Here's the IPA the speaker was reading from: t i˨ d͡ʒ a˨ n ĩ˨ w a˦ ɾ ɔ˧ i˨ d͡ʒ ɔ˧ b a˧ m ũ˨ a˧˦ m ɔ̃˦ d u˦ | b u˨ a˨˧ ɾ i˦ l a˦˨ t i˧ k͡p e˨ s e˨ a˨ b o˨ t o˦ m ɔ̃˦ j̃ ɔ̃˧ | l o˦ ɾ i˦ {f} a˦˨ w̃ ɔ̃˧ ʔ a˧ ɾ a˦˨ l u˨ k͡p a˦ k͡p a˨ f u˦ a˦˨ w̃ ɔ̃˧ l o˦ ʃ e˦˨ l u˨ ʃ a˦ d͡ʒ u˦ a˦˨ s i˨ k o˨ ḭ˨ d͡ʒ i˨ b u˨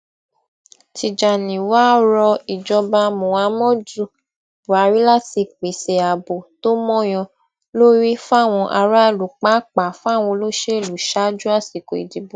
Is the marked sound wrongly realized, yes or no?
no